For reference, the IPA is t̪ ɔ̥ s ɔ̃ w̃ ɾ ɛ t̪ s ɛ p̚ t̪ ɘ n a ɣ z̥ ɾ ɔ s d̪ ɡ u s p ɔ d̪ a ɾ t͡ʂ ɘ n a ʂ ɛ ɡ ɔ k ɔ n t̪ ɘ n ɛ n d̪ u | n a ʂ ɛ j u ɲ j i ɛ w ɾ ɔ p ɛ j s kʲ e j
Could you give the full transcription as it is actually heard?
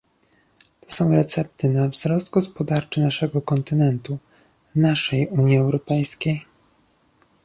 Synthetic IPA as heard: t̪ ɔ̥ s ɔ̃ w̃ ɾ ɛ t̪ s ɛ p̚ t̪ ɘ n a v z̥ ɾ ɔ s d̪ ɡ ɔ s p ɔ d̪ a ɾ t͡ʂ ɘ n a ʂ ɛ ɡ ɔ k ɔ n t̪ ɘ n ɛ n t̪ u | n a ʂ ɛ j u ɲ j i ɛ w ɾ ɔ p ɛ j s kʲ e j